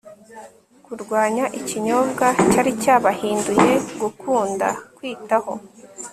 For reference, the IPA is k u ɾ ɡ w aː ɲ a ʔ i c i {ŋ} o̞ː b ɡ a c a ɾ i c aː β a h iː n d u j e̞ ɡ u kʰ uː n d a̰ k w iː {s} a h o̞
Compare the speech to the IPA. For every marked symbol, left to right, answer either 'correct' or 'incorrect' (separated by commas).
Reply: incorrect, incorrect